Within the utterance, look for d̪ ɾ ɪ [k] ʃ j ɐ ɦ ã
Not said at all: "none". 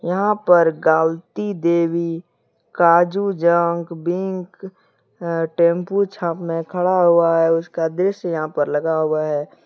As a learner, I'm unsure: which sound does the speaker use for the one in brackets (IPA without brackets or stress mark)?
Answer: none